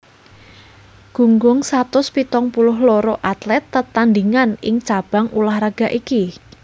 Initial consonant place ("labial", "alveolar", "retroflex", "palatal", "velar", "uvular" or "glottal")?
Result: velar